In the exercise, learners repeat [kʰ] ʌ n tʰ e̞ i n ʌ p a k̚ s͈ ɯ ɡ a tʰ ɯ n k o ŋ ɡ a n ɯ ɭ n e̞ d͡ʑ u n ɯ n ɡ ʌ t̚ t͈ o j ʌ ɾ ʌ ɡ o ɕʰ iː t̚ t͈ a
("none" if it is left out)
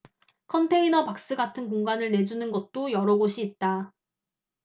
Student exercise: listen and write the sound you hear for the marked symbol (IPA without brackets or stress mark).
kʰ